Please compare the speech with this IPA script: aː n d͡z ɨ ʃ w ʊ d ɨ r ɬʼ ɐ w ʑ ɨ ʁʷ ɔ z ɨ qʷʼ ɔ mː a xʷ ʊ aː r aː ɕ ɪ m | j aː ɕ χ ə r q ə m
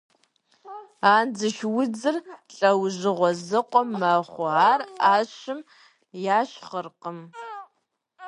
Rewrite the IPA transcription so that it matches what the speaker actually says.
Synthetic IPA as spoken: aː n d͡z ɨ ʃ w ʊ d͡z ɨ r ɬʼ ɐ w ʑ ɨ ʁʷ ɔ z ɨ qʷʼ ɔ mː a χʷ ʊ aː r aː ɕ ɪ m | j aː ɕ χ ə r q ə m

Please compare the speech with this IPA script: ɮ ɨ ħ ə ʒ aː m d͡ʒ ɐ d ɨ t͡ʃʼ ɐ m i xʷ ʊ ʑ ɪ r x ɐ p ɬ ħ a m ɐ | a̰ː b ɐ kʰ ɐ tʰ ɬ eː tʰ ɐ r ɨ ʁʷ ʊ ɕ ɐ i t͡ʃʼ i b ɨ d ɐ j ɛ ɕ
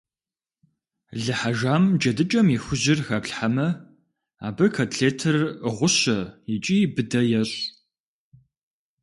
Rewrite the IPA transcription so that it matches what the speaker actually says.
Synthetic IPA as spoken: ɮ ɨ ħ a ʒ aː m d͡ʒ ɐ d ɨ t͡ʃʼ ɐ m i xʷ ʊ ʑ ɪ r x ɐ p ɬ ħ a m ɐ | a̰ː b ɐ kʰ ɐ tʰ ɬ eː tʰ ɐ r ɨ ʁʷ ʊ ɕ ɐ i t͡ʃʼ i b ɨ d ɐ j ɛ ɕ

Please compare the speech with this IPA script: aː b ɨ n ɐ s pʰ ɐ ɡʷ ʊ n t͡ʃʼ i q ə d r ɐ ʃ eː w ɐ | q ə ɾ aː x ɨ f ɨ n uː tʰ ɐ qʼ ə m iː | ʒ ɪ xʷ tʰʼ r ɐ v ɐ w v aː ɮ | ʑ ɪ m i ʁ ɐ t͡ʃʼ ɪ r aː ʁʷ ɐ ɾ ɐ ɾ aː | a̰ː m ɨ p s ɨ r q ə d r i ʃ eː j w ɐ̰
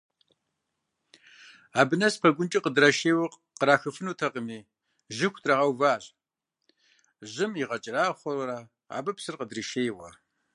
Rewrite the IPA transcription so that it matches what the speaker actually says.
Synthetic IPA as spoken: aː b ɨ n ɐ s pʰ ɐ ɡʷ ʊ n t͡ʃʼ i q ə d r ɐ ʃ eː w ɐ | q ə ɾ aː x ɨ f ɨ n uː tʰ ɐ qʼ ə m iː | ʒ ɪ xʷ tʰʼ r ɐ ʁ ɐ w v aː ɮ | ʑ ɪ m i ʁ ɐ t͡ʃʼ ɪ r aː χʷ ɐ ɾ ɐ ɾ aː | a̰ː b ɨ p s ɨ r q ə d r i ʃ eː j w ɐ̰

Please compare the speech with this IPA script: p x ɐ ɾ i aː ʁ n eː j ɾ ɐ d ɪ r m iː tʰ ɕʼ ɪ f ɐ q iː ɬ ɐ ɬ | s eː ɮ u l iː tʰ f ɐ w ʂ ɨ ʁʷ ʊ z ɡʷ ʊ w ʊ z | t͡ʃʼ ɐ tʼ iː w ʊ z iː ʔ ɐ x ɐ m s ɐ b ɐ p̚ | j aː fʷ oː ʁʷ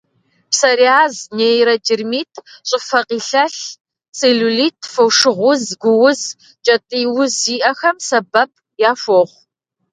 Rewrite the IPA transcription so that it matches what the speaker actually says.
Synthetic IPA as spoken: p s ɐ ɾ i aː z n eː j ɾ ɐ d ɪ r m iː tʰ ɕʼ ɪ f ɐ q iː ɬ ɐ ɬ | s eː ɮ u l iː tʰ f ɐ w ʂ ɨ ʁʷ ʊ z ɡʷ ʊ w ʊ z | t͡ʃʼ ɐ tʼ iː w ʊ z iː ʔ ɐ x ɐ m s ɐ b ɐ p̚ | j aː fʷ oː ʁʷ

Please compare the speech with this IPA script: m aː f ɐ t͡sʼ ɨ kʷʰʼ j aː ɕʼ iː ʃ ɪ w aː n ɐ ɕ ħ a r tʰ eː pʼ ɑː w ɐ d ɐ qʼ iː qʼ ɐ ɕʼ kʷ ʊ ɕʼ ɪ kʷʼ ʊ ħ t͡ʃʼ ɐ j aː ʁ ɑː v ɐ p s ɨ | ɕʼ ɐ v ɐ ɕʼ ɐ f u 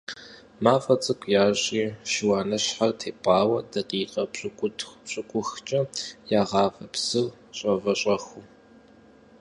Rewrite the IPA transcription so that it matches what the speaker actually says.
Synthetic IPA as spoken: m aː f ɐ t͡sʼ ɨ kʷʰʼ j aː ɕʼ iː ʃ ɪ w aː n ɐ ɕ ħ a r tʰ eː pʼ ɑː w ɐ d ɐ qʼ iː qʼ ɐ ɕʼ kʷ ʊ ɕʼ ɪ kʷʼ ʊ x t͡ʃʼ ɐ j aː ʁ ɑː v ɐ p s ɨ | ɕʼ ɐ v ɐ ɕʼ ɐ x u

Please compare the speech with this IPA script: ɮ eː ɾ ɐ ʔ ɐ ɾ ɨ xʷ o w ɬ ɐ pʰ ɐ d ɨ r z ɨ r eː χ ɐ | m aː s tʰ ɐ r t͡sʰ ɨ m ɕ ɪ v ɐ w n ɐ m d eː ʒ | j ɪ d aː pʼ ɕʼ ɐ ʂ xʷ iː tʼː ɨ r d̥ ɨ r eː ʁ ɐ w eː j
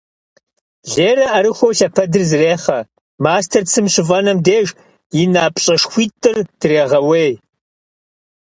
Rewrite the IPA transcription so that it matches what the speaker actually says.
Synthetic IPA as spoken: ɮ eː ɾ ɐ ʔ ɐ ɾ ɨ xʷ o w ɬ ɐ pʰ ɐ d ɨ r z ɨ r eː χ ɐ | m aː s tʰ ɐ r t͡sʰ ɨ m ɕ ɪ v ɐ n ɐ m d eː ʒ | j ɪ n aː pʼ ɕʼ ɐ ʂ xʷ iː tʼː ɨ r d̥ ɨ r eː ʁ ɐ w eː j

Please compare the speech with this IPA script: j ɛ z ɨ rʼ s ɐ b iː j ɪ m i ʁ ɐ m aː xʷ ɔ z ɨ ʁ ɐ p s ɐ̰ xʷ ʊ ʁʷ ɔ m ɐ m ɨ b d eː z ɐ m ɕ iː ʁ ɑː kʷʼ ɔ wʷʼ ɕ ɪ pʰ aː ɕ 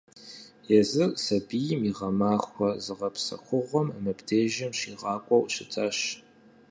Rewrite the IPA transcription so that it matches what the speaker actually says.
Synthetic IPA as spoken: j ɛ z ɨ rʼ s ɐ b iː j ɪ m i ʁ ɐ m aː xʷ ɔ z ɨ ʁ ɐ p s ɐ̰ xʷ ʊ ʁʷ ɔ m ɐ m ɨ b d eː ʒ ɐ m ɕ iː ʁ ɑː kʷʼ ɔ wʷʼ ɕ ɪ tʰ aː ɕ

